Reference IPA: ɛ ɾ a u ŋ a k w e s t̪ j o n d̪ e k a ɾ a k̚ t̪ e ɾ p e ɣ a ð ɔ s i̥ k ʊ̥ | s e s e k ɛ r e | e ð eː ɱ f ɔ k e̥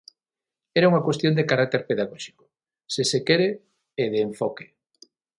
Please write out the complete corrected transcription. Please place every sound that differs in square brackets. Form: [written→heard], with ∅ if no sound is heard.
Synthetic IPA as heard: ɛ ɾ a u ŋ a k w e s t̪ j o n d̪ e k a ɾ a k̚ t̪ e ɾ p e [ɣ→ð] a [ð→ɣ] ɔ [s→ʃ] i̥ k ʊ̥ | s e s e k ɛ [r→ɾ] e | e ð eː ɱ f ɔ k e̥